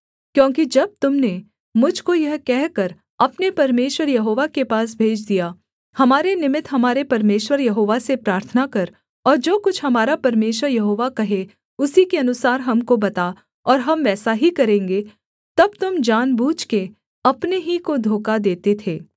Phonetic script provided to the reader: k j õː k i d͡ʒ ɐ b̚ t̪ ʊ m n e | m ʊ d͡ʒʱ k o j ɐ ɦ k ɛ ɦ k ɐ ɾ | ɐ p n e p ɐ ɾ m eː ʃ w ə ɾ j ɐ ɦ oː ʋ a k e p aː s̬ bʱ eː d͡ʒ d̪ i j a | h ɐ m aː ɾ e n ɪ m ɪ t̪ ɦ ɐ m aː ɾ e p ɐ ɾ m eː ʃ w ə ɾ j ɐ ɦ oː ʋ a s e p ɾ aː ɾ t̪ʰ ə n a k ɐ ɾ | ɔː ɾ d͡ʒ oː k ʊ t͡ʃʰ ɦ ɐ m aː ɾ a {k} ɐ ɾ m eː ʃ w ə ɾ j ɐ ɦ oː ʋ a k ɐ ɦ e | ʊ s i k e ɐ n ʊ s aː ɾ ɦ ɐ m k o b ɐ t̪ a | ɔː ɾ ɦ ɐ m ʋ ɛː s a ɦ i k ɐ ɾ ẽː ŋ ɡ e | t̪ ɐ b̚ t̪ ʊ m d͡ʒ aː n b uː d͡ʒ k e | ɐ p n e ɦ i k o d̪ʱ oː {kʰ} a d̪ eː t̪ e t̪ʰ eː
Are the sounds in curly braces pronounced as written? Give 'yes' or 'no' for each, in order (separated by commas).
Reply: no, no